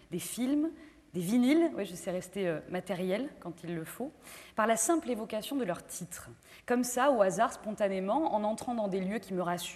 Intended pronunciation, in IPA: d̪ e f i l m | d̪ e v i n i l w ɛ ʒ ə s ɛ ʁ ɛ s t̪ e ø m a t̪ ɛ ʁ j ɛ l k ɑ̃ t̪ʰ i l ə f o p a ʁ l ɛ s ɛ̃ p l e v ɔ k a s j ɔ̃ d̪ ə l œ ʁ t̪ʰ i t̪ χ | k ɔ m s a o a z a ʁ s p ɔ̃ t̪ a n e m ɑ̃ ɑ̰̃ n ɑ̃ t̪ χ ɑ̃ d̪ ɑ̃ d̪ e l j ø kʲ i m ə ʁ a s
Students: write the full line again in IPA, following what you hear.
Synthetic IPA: d̪ e f i l m | d̪ e v i n i l w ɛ ʒ ə s ɛ ʁ ɛ s t̪ e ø m a t̪ ɛ ʁ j ɛ l k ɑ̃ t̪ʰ i lː ə f o p a ʁ l a s ɛ̃ p l e v ɔ k a s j ɔ̃ d̪ ə l œ ʁ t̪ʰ i t̪ χ | k ɔ m s a o a z a ʁ s p ɔ̃ t̪ a n e m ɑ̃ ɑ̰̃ n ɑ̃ t̪ χ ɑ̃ d̪ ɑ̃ d̪ e l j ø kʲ i m ə ʁ a s